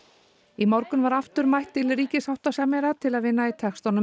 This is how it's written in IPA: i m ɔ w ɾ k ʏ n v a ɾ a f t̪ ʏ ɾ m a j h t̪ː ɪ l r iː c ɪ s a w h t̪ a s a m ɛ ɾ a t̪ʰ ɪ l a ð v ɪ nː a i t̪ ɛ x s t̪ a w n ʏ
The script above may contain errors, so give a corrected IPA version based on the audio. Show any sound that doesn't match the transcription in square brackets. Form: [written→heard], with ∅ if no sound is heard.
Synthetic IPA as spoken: i m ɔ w ɾ k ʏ n v a ɾ a f t̪ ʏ ɾ m a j h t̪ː ɪ l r iː c ɪ s a w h t̪ a s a m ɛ ɾ a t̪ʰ ɪ l a ð v ɪ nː a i [t̪→t̪ʰ] ɛ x s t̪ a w n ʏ